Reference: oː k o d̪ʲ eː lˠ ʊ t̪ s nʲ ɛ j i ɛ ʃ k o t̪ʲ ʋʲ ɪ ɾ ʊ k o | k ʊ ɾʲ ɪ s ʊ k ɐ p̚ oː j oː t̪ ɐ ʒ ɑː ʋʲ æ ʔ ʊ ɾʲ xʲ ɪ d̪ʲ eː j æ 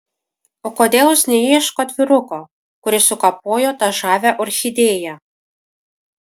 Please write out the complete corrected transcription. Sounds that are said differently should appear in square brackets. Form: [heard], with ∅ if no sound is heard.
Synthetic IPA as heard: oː k o d̪ʲ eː lˠ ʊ [∅] s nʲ ɛ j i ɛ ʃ k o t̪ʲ ʋʲ ɪ ɾ ʊ k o | k ʊ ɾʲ ɪ s ʊ k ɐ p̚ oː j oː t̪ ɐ ʒ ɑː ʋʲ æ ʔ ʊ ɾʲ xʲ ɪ d̪ʲ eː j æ

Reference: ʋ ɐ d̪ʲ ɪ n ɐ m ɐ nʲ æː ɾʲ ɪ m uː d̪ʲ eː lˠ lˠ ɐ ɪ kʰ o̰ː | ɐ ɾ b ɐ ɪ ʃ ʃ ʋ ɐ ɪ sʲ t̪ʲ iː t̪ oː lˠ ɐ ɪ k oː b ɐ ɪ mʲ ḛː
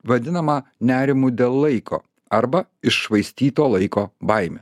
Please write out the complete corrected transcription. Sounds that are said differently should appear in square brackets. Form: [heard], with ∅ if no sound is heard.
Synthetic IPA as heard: ʋ ɐ d̪ʲ ɪ n ɐ m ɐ nʲ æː ɾʲ ɪ m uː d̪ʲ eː lˠ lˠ ɐ ɪ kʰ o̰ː | ɐ ɾ b ɐ ɪ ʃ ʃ ʋ ɐ ɪ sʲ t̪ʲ iː t̪ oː lˠ ɐ ɪ k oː b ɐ ɪ mʲ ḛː

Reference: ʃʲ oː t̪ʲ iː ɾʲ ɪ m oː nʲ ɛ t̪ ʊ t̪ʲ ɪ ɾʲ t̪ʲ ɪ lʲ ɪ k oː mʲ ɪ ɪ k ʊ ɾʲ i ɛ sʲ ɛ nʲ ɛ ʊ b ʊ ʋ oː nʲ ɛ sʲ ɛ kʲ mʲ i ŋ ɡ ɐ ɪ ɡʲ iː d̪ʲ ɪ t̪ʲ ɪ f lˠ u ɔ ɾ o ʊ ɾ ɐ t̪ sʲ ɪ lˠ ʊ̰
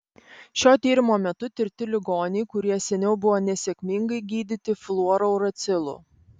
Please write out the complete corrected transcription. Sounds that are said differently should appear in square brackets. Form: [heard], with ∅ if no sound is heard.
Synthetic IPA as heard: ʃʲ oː t̪ʲ iː ɾʲ ɪ m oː [mʲ] ɛ t̪ ʊ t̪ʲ ɪ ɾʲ t̪ʲ ɪ lʲ ɪ [ɡ] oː [nʲ] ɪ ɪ k ʊ ɾʲ i ɛ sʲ ɛ nʲ ɛ ʊ b ʊ ʋ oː nʲ ɛ sʲ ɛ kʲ mʲ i ŋ ɡ ɐ ɪ ɡʲ iː d̪ʲ ɪ t̪ʲ ɪ f lˠ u ɔ ɾ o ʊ ɾ ɐ t̪ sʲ ɪ lˠ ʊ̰

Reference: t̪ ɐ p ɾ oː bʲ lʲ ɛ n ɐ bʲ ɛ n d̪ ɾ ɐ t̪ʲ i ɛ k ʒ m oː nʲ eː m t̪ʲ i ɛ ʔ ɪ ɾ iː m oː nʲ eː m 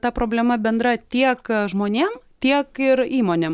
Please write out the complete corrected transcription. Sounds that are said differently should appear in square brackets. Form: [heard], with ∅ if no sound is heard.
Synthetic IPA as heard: t̪ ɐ p ɾ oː bʲ lʲ ɛ [m] ɐ bʲ ɛ n d̪ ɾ ɐ t̪ʲ i ɛ k ʒ m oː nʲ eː m t̪ʲ i ɛ [k] ɪ ɾ iː m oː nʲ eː m

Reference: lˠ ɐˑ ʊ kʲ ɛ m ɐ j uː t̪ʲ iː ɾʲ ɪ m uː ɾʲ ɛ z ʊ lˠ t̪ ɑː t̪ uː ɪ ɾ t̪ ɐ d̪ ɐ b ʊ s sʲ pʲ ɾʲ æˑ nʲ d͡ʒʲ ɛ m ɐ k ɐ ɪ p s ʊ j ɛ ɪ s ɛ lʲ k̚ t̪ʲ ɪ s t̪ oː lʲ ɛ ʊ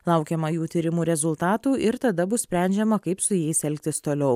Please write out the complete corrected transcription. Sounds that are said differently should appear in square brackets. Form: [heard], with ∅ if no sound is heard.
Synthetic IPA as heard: lˠ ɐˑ ʊ kʲ ɛ m ɐ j uː t̪ʲ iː ɾʲ ɪ m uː ɾʲ ɛ z ʊ lˠ t̪ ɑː t̪ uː ɪ ɾ t̪ ɐ d̪ ɐ b ʊ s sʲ pʲ ɾʲ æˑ nʲ d͡ʒʲ ɛ m ɐ k ɐ ɪ p s ʊ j ɛ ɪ s ɛ lʲ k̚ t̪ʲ ɪ s t̪ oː lʲ ɛ ʊ

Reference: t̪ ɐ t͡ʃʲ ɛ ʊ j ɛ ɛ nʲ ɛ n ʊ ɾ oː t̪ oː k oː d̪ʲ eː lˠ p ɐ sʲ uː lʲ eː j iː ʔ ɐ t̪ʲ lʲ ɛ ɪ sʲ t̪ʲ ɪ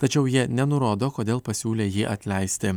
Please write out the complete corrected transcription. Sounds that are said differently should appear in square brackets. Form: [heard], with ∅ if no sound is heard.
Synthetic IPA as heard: t̪ ɐ t͡ʃʲ ɛ ʊ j [i] ɛ nʲ ɛ n ʊ ɾ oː [d̪] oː k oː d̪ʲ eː lˠ p ɐ sʲ uː lʲ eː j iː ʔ ɐ t̪ʲ lʲ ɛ ɪ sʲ t̪ʲ ɪ

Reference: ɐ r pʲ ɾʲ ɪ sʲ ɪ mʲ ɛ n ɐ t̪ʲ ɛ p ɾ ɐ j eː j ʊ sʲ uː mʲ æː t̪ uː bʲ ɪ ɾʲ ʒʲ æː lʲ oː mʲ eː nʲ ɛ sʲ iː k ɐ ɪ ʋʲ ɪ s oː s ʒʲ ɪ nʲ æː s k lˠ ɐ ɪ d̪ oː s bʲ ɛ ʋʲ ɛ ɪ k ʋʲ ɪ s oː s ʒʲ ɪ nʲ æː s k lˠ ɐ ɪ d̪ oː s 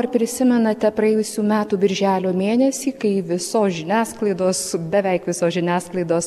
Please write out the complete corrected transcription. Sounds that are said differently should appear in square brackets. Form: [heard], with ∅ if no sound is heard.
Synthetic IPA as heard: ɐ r pʲ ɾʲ ɪ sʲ ɪ mʲ ɛ n ɐ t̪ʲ ɛ p ɾ ɐ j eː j ʊ sʲ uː mʲ æː t̪ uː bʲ ɪ ɾʲ ʒʲ æː lʲ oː mʲ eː nʲ ɛ sʲ iː k ɐ ɪ ʋʲ ɪ s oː s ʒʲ ɪ nʲ æː s k lˠ ɐ ɪ d̪ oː s bʲ ɛ ʋʲ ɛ ɪ k ʋʲ ɪ s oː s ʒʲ ɪ nʲ æː s k lˠ ɐ ɪ d̪ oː s

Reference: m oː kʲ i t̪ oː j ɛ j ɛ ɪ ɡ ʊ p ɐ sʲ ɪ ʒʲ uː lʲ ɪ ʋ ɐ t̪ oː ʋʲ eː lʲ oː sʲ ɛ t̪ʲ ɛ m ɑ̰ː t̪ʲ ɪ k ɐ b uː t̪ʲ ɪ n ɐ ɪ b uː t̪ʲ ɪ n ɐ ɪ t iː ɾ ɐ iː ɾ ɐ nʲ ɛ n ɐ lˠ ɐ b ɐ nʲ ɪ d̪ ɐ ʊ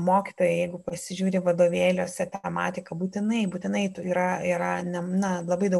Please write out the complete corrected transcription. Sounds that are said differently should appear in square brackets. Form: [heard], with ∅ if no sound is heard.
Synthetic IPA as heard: m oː kʲ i t̪ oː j ɛ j ɛ ɪ ɡ ʊ p ɐ sʲ ɪ ʒʲ uː [ɾʲ] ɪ ʋ ɐ [d̪] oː ʋʲ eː lʲ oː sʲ ɛ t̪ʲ ɛ m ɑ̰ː t̪ʲ ɪ k ɐ b uː t̪ʲ ɪ n ɐ ɪ b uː t̪ʲ ɪ n ɐ ɪ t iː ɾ ɐ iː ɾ ɐ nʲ ɛ n ɐ lˠ ɐ b ɐ [∅] ɪ d̪ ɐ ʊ

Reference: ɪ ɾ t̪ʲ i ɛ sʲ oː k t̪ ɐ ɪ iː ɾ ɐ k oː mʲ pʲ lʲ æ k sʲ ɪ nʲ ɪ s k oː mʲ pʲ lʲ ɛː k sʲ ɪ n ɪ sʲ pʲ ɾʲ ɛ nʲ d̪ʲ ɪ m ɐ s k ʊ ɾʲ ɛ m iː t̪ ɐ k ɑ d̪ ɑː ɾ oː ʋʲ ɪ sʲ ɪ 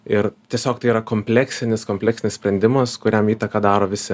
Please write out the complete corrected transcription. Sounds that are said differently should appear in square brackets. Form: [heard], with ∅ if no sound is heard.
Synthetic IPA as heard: ɪ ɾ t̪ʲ i ɛ sʲ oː k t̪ ɐ ɪ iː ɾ ɐ k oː mʲ pʲ lʲ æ k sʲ ɪ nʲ ɪ s k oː mʲ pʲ lʲ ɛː k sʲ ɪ n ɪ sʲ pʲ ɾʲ ɛ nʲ d̪ʲ ɪ m ɐ s k ʊ ɾʲ ɛ m iː t̪ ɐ k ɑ d̪ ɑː ɾ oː ʋʲ ɪ sʲ ɪ

